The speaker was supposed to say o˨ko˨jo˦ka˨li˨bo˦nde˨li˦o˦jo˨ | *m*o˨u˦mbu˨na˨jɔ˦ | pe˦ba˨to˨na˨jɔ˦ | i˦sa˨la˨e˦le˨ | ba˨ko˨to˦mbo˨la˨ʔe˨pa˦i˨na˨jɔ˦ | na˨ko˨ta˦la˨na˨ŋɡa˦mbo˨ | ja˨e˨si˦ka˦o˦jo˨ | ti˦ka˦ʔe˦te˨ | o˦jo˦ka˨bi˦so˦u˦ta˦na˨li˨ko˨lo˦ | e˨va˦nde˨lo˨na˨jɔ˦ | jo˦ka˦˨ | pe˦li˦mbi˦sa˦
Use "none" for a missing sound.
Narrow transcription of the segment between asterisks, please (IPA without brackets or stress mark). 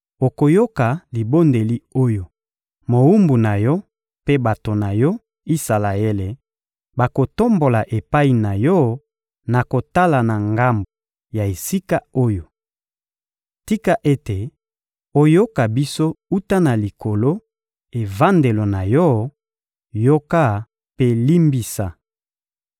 m